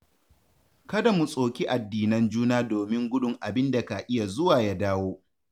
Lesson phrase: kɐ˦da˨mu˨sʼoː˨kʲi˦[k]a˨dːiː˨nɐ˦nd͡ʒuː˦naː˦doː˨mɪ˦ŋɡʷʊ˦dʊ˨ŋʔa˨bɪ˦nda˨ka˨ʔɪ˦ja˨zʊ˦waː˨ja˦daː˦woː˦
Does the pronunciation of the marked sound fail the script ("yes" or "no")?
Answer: yes